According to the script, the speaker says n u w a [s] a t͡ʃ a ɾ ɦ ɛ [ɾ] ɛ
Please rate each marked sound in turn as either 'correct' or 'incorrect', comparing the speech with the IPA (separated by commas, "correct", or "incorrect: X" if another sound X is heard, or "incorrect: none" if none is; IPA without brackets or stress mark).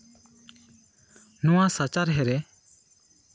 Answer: correct, correct